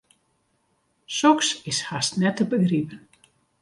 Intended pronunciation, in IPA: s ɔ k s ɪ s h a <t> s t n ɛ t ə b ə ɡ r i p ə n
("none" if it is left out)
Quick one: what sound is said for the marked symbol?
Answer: none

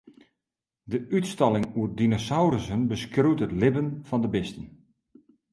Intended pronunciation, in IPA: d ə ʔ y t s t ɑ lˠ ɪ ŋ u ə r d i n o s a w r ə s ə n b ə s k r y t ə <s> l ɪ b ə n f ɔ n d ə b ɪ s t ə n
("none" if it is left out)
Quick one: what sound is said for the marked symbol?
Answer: t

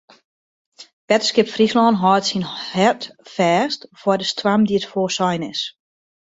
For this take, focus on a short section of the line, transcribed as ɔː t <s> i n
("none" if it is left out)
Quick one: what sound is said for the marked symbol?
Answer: s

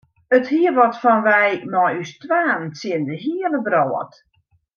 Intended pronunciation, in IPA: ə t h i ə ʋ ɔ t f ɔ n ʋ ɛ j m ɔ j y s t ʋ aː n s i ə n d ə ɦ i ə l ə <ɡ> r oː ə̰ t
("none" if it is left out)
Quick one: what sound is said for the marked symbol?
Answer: b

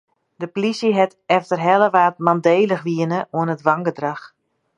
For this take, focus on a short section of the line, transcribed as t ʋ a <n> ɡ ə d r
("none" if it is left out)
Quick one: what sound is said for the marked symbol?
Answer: ŋ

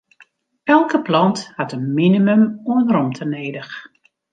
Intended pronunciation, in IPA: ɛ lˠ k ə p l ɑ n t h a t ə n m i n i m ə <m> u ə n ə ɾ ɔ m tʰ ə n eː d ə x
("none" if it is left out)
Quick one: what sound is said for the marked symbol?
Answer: m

